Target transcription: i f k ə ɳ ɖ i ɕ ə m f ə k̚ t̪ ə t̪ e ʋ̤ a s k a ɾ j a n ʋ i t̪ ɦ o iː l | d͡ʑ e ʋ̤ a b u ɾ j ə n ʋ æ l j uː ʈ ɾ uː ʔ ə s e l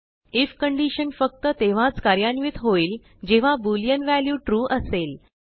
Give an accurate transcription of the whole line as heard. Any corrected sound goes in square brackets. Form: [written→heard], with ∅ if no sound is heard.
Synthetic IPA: i f k ə ɳ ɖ i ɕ ə [m→n] f ə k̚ t̪ ə t̪ e ʋ̤ a [s→t͡s] k a ɾ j a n ʋ i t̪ ɦ o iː l | d͡ʑ e ʋ̤ a b u [ɾ→l] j ə n ʋ æ l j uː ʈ ɾ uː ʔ ə s e l